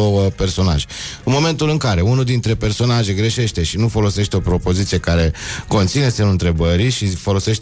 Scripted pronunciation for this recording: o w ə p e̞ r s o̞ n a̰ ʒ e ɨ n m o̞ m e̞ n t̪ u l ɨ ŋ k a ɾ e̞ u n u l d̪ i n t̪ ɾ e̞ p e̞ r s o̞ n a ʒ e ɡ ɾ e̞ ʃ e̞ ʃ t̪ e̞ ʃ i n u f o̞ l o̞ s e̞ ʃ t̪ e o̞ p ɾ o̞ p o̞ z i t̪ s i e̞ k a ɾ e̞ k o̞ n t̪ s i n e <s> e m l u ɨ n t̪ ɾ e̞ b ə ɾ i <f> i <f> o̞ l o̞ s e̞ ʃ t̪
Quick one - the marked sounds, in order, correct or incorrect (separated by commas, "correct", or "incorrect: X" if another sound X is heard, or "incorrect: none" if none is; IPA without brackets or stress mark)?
correct, incorrect: ʃ, correct